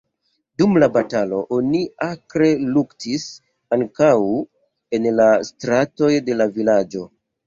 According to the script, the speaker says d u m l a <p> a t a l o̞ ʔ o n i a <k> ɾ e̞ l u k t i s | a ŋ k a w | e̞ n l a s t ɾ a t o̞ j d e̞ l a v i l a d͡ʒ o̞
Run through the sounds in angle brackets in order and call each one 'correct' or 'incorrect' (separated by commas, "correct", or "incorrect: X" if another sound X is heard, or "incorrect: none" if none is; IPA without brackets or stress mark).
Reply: incorrect: b, correct